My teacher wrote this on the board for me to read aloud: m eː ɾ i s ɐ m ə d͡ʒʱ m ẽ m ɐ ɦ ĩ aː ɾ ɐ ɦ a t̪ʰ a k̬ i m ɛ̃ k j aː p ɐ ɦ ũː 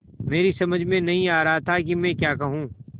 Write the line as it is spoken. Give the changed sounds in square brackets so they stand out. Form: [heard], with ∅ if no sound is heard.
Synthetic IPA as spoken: m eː ɾ i s ɐ m ə d͡ʒʱ m ẽ [n] ɐ ɦ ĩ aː ɾ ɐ ɦ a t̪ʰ a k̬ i m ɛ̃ k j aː [k] ɐ ɦ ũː